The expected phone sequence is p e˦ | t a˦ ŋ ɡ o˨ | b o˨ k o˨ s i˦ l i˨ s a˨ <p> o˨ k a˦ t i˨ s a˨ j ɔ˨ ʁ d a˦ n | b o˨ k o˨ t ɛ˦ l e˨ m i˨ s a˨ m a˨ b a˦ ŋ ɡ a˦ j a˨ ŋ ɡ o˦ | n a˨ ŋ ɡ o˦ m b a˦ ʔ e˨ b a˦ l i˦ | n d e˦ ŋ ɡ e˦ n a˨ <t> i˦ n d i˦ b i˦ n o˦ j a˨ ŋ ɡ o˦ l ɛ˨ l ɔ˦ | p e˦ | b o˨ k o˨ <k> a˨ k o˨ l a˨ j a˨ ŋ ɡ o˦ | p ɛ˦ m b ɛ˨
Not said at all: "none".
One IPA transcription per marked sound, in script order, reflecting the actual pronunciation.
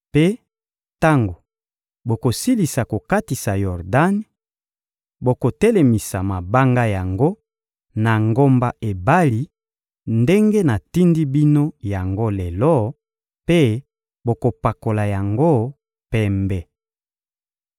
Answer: k, t, p

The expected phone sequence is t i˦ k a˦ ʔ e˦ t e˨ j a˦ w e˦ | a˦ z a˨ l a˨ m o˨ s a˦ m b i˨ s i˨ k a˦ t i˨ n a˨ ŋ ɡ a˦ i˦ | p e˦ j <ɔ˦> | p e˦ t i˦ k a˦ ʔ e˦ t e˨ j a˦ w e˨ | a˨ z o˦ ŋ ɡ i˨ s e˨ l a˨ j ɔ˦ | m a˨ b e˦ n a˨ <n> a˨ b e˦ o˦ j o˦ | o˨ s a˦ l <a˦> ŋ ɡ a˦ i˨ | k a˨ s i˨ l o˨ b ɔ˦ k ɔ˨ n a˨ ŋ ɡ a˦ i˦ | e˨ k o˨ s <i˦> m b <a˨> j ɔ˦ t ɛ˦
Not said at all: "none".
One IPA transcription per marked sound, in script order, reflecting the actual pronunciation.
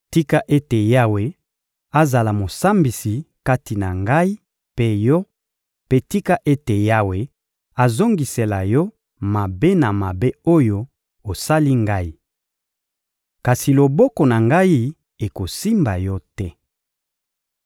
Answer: ɔ˦, m, i˦, i˦, a˨

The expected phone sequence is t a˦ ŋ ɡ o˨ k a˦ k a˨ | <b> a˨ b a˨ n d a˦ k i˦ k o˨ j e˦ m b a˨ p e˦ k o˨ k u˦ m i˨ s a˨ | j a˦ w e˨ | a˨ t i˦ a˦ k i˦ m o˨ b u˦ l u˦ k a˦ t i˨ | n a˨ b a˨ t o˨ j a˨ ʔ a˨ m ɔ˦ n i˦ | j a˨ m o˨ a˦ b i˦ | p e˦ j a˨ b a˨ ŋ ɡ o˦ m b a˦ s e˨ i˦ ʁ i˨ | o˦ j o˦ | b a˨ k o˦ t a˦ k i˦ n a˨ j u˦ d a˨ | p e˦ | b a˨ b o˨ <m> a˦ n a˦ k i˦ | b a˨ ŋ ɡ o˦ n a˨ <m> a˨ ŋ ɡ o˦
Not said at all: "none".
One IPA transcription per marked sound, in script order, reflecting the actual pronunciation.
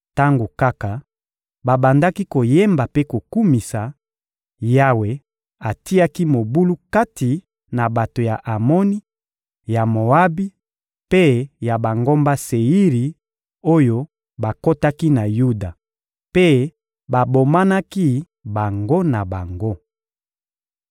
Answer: b, m, b

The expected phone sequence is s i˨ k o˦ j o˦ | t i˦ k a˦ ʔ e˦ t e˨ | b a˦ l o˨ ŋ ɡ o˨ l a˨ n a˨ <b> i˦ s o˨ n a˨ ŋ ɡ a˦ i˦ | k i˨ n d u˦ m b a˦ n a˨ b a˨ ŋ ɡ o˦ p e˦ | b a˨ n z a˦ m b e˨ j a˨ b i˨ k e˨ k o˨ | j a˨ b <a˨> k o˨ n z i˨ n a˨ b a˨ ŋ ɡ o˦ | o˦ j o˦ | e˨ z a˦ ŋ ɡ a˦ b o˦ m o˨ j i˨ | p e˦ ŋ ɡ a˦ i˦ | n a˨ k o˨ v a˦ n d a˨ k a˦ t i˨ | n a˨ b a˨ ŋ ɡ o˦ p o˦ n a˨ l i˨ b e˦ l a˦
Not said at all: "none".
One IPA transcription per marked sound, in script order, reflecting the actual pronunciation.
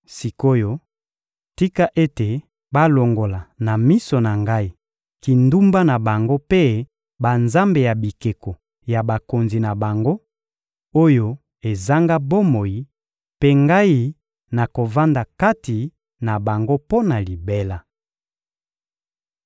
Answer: m, a˨

